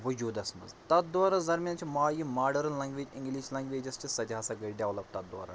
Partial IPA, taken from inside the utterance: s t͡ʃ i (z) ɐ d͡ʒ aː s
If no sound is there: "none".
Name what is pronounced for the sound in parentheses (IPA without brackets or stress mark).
s